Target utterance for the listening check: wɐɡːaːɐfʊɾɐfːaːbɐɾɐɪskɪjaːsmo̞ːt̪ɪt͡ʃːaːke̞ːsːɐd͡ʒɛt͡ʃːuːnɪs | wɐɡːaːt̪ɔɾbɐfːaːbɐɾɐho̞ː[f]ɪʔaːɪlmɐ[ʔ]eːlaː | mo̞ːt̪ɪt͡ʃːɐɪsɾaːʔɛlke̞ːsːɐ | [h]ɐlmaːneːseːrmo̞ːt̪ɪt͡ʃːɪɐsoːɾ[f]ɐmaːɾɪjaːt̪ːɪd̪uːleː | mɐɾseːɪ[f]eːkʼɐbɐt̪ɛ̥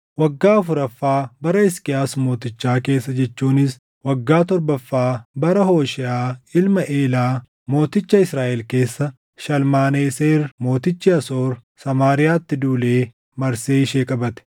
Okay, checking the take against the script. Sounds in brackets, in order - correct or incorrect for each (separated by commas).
incorrect, correct, incorrect, incorrect, incorrect